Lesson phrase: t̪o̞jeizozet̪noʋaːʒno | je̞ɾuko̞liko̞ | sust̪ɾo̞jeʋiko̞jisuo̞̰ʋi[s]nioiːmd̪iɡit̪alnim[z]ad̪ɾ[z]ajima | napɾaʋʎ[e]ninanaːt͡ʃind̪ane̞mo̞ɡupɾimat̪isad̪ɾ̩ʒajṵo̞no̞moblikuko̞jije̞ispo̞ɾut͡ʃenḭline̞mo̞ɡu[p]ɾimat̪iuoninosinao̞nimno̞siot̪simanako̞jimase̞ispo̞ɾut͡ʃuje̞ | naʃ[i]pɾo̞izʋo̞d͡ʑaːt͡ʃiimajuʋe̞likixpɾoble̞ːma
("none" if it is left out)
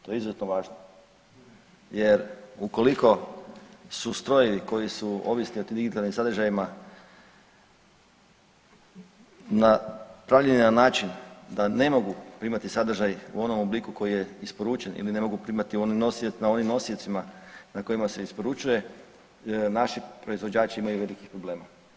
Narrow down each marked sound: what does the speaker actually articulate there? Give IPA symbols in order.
s, s, ʒ, e, p, i

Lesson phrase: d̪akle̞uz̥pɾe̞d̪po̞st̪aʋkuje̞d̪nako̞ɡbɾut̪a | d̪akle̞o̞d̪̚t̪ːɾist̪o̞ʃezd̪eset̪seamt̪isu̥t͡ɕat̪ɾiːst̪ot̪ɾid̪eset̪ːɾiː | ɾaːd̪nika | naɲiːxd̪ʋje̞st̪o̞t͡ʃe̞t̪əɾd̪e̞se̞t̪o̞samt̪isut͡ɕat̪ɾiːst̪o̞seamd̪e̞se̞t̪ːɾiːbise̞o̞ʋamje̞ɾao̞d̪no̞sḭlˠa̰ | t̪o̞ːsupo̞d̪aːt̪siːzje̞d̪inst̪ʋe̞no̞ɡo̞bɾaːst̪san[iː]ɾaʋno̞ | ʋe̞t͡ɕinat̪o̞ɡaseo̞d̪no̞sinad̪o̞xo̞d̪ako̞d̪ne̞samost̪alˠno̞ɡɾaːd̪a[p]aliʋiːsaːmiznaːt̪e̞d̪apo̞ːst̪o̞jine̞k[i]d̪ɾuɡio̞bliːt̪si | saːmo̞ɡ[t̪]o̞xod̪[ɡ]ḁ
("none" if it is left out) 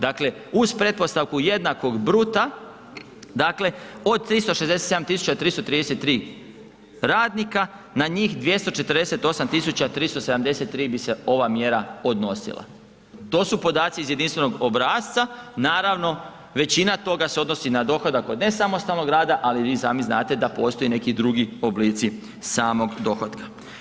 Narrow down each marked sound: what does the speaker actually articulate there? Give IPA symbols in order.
aː, ʔ, i, d̪, k

